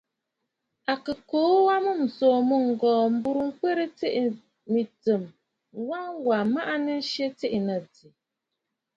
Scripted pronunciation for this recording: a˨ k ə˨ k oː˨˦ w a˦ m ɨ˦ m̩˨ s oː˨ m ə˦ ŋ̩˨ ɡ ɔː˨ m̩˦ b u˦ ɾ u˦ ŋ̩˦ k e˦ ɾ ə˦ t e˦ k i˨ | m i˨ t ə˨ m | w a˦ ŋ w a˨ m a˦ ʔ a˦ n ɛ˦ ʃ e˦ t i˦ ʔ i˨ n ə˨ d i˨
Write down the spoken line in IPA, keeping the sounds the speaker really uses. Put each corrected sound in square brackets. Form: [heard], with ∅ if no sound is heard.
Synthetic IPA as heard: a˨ k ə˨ k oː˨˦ w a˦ m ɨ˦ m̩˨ s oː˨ m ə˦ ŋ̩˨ ɡ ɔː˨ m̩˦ b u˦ ɾ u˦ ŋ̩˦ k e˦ ɾ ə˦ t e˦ [ʔ] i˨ | m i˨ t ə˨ m | w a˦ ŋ w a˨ m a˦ ʔ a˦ n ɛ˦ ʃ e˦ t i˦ ʔ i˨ n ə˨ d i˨